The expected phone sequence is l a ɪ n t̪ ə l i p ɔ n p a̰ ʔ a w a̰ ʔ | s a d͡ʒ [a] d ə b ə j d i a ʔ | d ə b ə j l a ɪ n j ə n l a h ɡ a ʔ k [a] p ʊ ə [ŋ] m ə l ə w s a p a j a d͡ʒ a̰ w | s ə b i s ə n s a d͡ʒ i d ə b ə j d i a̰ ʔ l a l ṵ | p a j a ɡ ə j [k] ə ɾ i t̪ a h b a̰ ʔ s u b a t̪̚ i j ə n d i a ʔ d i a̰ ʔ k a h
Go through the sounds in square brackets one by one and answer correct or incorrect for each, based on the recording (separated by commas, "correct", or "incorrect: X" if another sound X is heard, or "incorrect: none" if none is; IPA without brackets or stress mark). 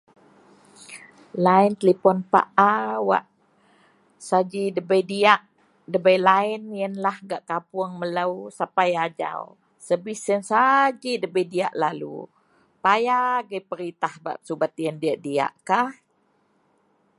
incorrect: i, correct, correct, incorrect: p